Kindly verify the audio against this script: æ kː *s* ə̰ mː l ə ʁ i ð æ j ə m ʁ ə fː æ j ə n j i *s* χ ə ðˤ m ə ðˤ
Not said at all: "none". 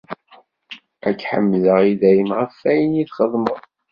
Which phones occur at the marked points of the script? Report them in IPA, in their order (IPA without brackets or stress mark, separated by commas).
ħ, θ